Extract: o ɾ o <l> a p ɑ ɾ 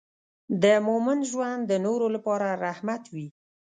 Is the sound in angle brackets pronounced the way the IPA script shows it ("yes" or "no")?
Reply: yes